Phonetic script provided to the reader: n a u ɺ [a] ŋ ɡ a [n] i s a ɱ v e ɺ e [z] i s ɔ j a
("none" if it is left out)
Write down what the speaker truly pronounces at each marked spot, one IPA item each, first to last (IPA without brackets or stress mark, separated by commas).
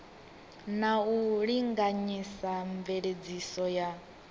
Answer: i, ɲ, d͡z